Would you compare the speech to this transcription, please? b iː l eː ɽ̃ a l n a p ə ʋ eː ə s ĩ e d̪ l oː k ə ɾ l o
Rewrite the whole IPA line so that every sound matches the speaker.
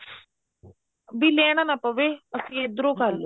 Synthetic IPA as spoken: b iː l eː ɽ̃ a n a p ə ʋ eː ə s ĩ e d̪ ɾ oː k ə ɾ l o